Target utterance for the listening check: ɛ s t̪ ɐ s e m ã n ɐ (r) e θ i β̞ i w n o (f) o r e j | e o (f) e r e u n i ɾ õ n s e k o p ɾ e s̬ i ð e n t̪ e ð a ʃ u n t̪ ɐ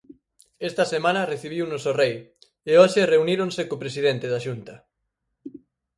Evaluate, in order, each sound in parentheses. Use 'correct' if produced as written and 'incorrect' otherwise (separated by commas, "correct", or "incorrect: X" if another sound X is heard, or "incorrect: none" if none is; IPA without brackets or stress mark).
correct, incorrect: s, incorrect: ʃ